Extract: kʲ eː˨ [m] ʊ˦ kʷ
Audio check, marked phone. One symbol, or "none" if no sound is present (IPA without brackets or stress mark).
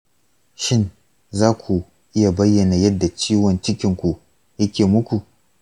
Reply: m